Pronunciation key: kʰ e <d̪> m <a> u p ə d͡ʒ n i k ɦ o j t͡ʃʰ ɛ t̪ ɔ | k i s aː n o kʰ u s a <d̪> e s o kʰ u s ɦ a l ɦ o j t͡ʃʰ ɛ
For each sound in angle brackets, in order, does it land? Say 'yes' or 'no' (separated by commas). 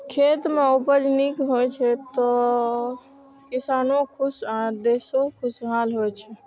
no, no, yes